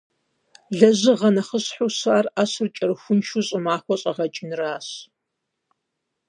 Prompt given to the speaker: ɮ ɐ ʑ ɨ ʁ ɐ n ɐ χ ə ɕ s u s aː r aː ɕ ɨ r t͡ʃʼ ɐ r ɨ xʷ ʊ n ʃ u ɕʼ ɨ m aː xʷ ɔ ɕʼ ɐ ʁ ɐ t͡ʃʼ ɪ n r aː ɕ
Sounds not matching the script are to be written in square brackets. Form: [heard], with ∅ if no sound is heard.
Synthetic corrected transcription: ɮ ɐ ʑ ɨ ʁ ɐ n ɐ χ ə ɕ [ħ] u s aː r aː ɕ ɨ r t͡ʃʼ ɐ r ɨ xʷ ʊ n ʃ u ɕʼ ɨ m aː xʷ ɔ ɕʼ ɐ ʁ ɐ t͡ʃʼ ɪ n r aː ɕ